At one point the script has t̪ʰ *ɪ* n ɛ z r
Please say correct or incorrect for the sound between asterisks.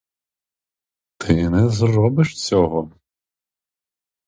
correct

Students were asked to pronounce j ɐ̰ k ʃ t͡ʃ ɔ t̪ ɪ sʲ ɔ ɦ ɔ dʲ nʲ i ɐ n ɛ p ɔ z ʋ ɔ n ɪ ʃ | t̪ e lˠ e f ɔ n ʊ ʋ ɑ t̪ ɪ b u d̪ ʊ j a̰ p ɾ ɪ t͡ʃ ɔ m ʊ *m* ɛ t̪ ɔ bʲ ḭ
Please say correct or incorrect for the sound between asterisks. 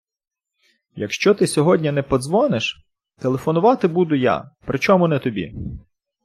incorrect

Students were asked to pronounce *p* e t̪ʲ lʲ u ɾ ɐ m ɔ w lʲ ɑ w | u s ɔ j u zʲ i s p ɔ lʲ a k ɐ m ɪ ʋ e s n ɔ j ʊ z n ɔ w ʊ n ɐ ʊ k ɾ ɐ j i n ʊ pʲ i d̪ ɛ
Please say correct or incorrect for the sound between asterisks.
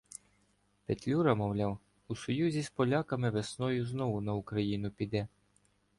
correct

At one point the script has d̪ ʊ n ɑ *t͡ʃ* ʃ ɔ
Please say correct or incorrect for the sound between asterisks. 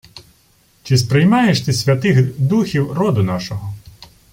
incorrect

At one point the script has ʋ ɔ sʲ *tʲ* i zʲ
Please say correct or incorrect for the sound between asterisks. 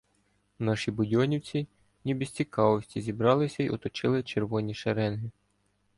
correct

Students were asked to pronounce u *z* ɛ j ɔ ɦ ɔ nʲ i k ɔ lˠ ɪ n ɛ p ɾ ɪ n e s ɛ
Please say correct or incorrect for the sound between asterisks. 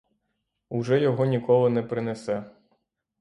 incorrect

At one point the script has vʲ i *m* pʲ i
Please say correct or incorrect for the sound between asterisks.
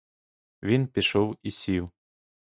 incorrect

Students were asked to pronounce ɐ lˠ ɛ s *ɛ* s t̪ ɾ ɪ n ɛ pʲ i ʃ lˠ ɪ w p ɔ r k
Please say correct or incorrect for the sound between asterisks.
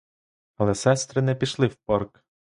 correct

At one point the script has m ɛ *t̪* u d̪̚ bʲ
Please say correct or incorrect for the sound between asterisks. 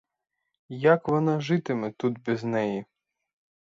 correct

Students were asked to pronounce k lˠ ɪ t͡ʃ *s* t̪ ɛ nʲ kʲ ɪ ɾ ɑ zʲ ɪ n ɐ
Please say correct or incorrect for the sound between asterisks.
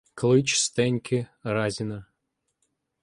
correct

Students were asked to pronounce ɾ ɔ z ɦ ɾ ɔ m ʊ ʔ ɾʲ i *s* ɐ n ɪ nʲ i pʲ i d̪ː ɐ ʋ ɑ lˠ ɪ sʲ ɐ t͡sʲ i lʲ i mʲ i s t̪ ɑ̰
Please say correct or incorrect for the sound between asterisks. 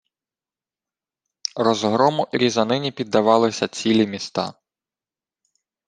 incorrect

